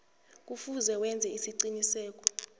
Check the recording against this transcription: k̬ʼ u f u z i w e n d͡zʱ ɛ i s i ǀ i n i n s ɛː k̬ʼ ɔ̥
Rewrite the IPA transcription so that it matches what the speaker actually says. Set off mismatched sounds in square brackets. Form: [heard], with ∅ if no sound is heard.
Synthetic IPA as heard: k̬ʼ u f u z [ɛ] w [ɛ] n d͡zʱ ɛ i s i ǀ i n i [∅] s ɛː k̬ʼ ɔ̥